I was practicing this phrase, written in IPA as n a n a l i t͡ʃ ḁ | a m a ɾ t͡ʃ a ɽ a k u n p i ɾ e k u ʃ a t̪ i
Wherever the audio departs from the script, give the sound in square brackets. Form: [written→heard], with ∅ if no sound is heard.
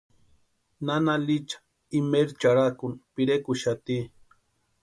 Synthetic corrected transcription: n a n a l i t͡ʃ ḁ | [a→i] m [a→e] ɾ t͡ʃ a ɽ a k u n p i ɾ e k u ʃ a t̪ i